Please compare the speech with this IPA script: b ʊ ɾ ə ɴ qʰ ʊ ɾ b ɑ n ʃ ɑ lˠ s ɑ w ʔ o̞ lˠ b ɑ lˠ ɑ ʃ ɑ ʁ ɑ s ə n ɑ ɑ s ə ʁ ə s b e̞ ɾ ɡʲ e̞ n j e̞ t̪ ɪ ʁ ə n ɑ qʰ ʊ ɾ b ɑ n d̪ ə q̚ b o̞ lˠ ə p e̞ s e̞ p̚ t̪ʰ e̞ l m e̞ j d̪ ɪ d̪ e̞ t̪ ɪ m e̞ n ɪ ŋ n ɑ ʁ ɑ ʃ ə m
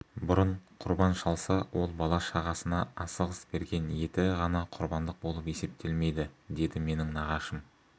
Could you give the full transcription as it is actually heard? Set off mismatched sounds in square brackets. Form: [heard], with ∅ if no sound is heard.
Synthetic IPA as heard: b ʊ ɾ ə ɴ qʰ ʊ ɾ b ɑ n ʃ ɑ lˠ s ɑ w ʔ o̞ lˠ b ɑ lˠ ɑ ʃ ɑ ʁ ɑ s ə n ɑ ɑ s ə ʁ ə s b e̞ ɾ ɡʲ e̞ n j e̞ t̪ ɪ ʁ [ɑ] n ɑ qʰ ʊ ɾ b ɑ n d̪ ə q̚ b o̞ lˠ ə p e̞ s e̞ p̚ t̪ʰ e̞ l m e̞ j d̪ ɪ d̪ e̞ [d̪] ɪ m e̞ n ɪ ŋ n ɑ ʁ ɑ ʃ ə m